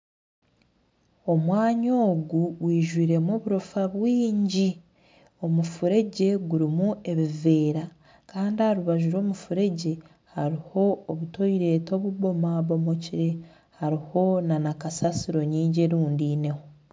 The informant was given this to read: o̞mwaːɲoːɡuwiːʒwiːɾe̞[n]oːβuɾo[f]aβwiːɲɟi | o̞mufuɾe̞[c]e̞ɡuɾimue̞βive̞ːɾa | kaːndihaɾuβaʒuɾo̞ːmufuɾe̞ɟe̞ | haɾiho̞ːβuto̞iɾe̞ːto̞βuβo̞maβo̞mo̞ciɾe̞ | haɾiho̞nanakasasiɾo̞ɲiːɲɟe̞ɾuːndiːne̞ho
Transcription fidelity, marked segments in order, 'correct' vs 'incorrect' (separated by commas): incorrect, correct, incorrect